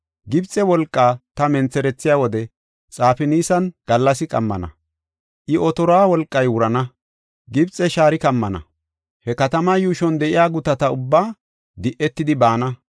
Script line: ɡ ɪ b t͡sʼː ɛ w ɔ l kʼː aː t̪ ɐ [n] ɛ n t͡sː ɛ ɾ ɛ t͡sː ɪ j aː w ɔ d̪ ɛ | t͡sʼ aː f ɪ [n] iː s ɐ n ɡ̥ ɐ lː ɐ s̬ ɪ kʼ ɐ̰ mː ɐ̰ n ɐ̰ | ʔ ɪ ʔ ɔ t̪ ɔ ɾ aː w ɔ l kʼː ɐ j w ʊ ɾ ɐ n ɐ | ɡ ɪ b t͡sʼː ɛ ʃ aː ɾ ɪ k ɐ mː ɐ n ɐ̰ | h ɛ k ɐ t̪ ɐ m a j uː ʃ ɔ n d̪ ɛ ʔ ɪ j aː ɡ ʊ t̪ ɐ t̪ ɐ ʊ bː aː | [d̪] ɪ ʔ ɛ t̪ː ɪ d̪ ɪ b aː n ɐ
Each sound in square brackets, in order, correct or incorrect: incorrect, correct, correct

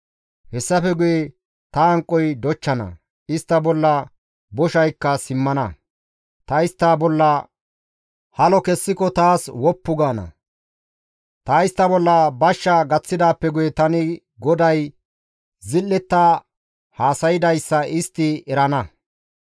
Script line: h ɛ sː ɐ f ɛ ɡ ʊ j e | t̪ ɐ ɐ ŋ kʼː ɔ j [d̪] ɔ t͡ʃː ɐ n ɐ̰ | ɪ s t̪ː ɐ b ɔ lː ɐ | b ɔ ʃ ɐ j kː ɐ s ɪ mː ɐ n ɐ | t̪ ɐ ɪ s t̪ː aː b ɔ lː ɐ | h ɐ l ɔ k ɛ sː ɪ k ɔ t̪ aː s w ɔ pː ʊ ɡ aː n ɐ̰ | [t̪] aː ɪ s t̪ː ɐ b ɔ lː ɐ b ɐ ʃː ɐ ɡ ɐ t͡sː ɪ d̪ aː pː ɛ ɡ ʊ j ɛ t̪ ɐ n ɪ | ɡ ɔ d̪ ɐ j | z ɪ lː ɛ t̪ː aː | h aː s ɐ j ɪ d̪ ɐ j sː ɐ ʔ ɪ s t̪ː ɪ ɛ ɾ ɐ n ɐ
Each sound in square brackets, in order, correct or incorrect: correct, correct

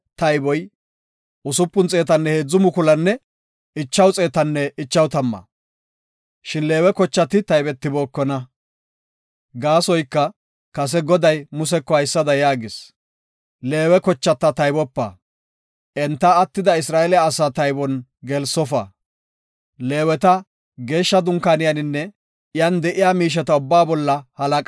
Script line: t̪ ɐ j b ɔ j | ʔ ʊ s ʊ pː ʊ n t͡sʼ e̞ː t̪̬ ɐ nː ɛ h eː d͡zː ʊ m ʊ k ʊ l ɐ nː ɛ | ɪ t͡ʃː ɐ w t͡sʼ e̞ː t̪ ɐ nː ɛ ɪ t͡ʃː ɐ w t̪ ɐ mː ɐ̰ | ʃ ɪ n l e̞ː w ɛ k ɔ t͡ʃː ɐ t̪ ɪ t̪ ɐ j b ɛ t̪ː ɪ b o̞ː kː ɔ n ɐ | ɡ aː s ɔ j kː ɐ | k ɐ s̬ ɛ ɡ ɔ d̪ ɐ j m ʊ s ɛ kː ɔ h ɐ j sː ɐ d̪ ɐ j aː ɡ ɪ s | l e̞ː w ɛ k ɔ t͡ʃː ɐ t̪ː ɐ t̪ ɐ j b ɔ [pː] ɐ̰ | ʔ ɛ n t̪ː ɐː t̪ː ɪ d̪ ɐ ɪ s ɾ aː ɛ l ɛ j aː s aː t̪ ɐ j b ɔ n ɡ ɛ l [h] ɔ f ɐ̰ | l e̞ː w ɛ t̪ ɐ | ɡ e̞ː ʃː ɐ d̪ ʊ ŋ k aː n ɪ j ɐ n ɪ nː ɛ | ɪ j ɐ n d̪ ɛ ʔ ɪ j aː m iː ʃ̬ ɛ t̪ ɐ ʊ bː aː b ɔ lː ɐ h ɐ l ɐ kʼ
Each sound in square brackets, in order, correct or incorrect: correct, incorrect

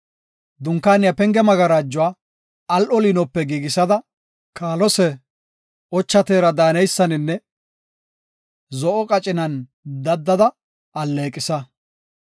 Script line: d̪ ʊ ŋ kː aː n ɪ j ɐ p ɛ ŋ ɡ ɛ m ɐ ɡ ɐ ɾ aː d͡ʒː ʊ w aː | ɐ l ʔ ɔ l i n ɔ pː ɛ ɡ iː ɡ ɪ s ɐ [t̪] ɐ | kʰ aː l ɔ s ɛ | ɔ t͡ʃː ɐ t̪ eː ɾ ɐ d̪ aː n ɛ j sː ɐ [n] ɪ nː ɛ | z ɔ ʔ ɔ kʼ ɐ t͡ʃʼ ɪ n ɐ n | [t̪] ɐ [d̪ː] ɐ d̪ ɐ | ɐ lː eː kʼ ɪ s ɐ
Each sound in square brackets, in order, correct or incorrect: incorrect, correct, incorrect, correct

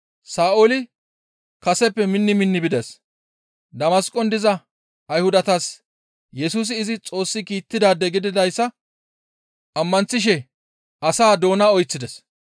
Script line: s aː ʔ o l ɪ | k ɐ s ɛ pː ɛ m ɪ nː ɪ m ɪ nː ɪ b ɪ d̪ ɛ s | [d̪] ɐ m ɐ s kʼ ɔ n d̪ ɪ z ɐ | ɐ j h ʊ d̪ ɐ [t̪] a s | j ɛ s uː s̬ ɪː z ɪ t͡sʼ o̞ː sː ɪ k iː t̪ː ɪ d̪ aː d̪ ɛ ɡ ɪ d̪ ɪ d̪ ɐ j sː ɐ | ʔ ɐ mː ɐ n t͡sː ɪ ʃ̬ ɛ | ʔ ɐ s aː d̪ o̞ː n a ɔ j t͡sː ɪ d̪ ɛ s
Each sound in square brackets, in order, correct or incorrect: correct, correct

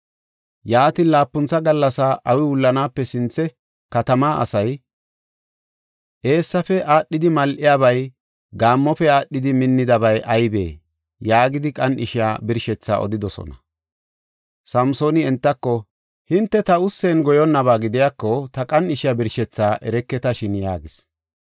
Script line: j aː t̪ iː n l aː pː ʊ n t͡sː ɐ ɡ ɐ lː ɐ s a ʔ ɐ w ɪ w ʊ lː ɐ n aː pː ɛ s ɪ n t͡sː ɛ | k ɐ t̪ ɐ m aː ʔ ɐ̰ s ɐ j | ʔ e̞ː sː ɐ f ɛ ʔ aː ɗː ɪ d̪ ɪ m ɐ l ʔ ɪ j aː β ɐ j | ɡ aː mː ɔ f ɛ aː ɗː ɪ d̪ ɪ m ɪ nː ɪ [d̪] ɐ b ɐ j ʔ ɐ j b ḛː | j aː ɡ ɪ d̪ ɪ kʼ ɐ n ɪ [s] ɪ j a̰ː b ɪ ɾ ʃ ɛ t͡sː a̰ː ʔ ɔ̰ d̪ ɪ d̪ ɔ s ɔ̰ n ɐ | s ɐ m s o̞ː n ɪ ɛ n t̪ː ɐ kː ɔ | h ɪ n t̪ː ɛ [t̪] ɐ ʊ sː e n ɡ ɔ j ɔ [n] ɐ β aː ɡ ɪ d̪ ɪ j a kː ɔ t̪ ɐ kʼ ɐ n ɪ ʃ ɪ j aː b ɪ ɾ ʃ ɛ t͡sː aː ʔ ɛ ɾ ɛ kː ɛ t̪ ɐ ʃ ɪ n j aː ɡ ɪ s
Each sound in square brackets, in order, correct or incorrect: correct, incorrect, correct, incorrect

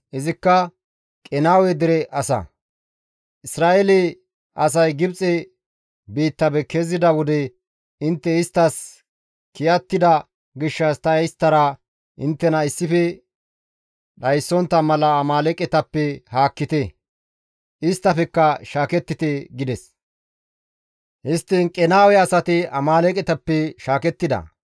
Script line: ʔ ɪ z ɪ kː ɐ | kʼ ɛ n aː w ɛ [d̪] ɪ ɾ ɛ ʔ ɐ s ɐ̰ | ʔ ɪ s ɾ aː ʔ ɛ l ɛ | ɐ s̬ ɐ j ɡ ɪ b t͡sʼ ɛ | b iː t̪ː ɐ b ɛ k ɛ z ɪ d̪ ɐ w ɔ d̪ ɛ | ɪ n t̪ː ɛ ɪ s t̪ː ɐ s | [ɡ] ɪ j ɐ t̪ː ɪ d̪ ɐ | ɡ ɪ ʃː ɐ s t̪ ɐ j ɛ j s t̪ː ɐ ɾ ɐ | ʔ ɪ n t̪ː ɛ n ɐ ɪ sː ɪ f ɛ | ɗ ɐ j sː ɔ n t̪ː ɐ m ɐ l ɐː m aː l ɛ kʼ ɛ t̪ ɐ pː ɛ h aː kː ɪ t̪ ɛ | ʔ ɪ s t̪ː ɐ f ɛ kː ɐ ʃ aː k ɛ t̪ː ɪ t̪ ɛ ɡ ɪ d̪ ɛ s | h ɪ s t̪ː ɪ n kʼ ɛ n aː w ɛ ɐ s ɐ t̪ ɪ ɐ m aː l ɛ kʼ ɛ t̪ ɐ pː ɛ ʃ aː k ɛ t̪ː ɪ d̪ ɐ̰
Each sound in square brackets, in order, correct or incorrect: correct, incorrect

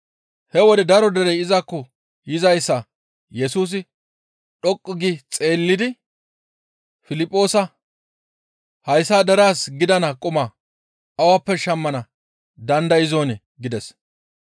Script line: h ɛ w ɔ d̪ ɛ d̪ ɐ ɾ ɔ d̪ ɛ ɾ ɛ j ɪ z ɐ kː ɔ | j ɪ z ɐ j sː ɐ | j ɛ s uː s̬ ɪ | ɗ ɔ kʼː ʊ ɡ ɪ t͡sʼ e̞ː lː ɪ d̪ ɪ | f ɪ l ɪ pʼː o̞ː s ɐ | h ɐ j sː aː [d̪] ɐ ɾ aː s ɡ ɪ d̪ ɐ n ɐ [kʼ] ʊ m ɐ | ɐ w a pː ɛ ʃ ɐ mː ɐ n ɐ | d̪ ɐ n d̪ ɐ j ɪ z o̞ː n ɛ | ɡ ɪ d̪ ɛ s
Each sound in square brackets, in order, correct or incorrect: correct, correct

